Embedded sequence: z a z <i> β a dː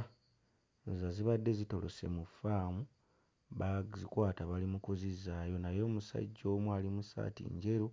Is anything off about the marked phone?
no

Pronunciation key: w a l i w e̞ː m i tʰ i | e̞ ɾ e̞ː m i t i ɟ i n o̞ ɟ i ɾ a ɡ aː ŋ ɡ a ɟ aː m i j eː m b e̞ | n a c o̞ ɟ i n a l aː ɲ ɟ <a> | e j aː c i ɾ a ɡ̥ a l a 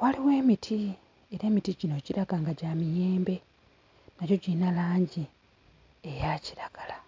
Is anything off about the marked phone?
yes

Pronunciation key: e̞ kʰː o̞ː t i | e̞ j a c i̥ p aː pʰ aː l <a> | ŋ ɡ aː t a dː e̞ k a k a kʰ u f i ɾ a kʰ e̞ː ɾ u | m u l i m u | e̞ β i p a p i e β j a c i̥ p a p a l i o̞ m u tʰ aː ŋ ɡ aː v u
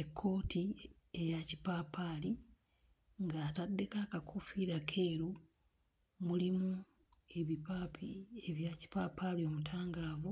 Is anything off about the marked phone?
yes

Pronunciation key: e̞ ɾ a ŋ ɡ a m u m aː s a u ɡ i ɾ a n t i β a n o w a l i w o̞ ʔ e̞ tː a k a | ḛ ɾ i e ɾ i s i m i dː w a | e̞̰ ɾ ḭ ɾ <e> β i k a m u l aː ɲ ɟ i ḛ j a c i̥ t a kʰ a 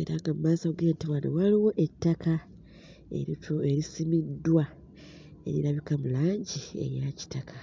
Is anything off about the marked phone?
yes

